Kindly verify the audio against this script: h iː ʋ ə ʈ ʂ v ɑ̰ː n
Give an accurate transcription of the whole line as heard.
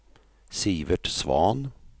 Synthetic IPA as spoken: s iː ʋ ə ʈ s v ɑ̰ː n